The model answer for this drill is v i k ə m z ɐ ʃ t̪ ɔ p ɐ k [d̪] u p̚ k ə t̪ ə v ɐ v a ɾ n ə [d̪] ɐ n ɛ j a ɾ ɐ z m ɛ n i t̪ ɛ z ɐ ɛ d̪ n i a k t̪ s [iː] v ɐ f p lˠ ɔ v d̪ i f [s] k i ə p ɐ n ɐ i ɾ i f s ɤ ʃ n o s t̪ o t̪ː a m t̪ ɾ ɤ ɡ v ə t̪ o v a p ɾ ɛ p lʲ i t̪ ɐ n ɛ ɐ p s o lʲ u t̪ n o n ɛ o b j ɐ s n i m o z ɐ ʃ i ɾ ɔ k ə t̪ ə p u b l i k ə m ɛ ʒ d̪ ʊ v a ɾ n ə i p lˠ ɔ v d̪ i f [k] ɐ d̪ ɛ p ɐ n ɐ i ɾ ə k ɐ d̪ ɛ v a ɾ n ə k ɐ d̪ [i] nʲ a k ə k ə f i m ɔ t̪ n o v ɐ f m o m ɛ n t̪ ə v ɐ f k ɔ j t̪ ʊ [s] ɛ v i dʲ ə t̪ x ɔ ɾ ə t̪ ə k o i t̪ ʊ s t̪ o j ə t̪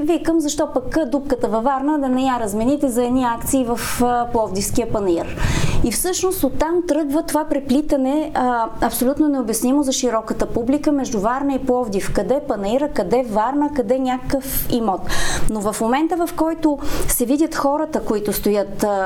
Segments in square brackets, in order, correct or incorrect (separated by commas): correct, correct, correct, correct, correct, incorrect, correct